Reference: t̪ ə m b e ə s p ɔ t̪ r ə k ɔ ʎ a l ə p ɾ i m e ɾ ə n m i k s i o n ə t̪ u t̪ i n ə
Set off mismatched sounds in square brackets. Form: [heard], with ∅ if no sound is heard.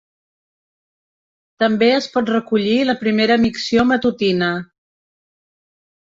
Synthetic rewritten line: t̪ ə m b e ə s p ɔ t̪ r ə k [u] ʎ [i] l ə p ɾ i m e ɾ ə [∅] m i k s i o [m] ə t̪ u t̪ i n ə